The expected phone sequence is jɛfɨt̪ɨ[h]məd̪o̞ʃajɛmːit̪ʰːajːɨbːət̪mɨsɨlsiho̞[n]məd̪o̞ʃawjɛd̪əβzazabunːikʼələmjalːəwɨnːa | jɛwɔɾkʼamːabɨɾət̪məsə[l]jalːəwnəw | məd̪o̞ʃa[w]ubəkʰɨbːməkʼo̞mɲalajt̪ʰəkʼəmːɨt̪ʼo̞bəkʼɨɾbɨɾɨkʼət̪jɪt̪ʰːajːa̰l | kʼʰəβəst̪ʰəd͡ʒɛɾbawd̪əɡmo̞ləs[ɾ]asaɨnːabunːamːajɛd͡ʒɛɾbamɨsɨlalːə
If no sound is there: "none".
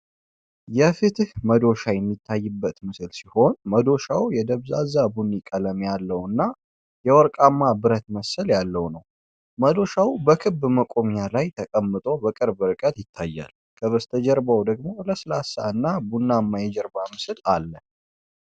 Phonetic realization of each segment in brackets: h, n, l, w, l

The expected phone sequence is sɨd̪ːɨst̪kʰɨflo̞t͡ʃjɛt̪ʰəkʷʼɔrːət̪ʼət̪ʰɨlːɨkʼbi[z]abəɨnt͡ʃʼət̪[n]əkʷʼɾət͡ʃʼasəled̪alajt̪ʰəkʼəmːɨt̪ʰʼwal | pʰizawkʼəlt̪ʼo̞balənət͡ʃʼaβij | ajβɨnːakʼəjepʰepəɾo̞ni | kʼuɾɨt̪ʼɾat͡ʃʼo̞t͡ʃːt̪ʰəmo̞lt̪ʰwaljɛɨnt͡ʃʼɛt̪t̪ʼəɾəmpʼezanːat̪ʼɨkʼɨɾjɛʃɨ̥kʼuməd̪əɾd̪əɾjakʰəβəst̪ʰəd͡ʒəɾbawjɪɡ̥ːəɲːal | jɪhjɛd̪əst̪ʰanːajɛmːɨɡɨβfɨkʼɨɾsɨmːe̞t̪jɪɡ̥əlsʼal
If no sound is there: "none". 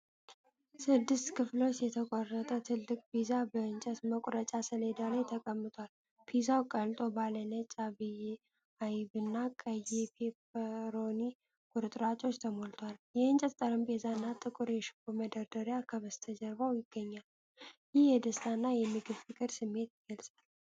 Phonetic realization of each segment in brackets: z, m

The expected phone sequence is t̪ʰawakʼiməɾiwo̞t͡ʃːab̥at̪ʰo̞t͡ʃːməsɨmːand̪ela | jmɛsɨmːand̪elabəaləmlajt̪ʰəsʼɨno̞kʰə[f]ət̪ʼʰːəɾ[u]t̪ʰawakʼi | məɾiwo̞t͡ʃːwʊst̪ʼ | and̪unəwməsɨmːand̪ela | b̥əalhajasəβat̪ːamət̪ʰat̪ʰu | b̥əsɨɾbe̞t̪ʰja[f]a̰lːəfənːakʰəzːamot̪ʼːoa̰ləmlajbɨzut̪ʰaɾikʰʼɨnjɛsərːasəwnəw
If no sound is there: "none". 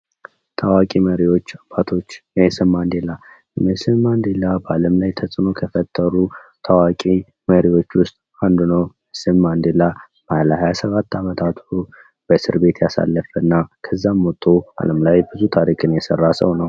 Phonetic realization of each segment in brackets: f, u, s

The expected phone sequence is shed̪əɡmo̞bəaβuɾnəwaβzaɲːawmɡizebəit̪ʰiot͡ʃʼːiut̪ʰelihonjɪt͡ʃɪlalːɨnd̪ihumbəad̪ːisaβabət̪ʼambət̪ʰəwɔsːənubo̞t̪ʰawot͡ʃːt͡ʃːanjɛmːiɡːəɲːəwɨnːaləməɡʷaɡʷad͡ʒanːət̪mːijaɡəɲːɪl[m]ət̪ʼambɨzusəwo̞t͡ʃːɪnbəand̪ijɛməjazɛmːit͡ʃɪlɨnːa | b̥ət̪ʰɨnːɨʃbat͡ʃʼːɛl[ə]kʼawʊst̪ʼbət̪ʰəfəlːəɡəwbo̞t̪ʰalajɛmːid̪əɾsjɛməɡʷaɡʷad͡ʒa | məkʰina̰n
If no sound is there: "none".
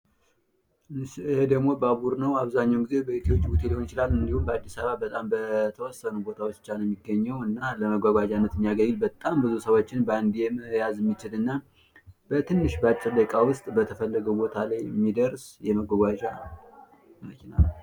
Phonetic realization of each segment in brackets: b, ə

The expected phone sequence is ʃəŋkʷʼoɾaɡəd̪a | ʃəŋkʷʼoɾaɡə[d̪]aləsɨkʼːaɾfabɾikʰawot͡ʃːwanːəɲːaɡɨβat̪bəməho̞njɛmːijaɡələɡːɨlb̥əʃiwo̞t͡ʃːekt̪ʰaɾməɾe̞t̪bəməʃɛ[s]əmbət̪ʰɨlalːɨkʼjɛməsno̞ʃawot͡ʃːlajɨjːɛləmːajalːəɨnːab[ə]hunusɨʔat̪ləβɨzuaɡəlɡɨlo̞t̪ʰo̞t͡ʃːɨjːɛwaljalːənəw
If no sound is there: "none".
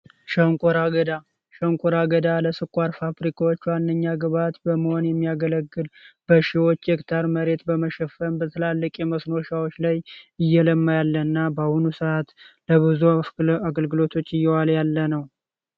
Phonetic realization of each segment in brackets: d̪, f, a

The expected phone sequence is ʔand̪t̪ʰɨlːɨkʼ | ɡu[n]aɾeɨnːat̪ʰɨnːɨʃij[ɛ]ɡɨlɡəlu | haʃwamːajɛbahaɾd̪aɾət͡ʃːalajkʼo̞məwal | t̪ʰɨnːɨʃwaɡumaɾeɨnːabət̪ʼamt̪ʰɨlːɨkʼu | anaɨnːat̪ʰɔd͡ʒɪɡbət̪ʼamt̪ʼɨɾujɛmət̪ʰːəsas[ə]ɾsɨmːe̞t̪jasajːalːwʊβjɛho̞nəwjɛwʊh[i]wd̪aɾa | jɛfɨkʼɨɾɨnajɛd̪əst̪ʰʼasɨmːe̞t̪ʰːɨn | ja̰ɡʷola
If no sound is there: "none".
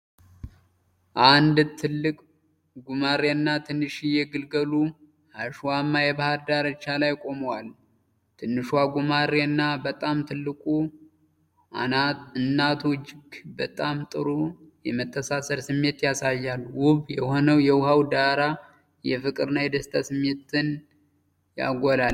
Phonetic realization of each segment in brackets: m, ɛ, ə, a

